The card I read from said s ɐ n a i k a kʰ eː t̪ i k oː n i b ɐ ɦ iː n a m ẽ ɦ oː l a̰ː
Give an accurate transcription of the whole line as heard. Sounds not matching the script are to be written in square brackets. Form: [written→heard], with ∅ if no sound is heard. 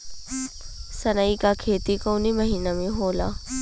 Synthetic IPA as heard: s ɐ n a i k a kʰ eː t̪ i k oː n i [b→m] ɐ ɦ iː n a m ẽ ɦ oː l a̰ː

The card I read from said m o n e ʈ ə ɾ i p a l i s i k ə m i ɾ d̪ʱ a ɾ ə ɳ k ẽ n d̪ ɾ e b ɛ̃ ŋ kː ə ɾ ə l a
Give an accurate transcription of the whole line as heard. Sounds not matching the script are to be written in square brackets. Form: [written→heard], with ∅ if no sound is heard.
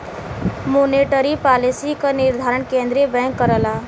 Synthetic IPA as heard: m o n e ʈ ə ɾ i p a l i s i k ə [m→n] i ɾ d̪ʱ a ɾ ə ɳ k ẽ n d̪ ɾ e b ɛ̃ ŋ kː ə ɾ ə l a

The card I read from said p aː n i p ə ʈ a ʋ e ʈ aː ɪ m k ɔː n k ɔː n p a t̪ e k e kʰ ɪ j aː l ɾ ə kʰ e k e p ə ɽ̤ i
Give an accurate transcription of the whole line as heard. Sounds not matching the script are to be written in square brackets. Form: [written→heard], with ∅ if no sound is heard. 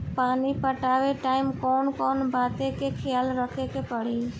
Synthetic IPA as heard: p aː n i p ə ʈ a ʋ e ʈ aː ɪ m k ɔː n k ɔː n [p→b] a t̪ e k e kʰ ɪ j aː l ɾ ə kʰ e k e p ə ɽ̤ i

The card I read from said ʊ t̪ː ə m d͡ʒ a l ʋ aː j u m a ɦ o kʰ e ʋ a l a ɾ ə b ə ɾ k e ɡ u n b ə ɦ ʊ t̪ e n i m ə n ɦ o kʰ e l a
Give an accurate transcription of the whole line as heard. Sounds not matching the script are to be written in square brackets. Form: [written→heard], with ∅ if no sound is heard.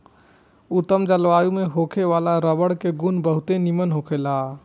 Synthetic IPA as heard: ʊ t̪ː ə m d͡ʒ [a→ə] l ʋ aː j u m [a→e] ɦ o kʰ e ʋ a l a ɾ ə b ə [ɾ→ɽ] k e ɡ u n b ə ɦ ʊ t̪ e n i m ə n ɦ o kʰ e l a

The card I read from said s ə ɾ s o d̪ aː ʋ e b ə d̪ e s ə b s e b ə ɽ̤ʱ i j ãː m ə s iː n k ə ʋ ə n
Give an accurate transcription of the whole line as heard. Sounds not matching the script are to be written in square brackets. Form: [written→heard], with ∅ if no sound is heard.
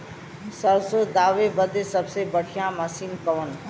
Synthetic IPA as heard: s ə ɾ s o d̪ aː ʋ e b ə d̪ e s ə b s e b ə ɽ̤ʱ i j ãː m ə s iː n k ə ʋ ə n

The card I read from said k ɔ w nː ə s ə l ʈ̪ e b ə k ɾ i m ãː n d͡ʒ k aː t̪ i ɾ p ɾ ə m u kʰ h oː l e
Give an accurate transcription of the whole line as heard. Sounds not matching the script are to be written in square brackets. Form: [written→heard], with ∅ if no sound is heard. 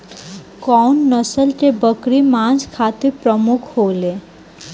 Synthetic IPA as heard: k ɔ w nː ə s ə l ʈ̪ e b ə k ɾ i m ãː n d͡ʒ [k→kʰ] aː t̪ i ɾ p ɾ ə m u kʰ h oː l e

